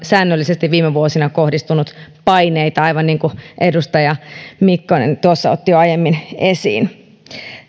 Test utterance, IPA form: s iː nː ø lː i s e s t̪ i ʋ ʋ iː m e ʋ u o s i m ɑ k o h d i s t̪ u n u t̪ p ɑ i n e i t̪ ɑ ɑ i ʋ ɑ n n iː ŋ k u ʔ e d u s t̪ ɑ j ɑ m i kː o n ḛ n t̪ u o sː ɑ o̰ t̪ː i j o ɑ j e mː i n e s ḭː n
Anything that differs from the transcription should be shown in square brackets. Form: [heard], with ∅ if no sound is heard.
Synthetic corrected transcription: s [æː] nː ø lː i s e s t̪ i ʋ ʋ iː m e ʋ u o s i [n] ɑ k o h d i s t̪ u n u t̪ p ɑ i n e i t̪ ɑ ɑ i ʋ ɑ n n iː ŋ k u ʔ e d u s t̪ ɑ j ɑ m i kː o n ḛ n t̪ u o sː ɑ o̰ t̪ː i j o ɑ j e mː i n e s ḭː n